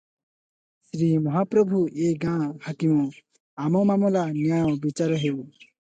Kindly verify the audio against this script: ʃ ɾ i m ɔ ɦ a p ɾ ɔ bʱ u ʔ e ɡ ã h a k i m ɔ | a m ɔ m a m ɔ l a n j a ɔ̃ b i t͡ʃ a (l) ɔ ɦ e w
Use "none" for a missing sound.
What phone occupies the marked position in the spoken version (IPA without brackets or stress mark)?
ɾ